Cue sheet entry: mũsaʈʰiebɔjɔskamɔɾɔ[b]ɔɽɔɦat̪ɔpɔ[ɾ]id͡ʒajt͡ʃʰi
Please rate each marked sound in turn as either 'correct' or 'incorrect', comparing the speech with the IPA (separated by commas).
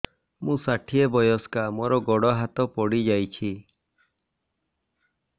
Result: incorrect, incorrect